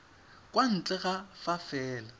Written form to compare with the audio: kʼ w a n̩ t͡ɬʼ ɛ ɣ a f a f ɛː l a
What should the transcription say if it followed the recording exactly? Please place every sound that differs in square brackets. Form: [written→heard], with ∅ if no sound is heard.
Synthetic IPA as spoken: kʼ w a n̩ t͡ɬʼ ɛ ɣ a f a f ɛː l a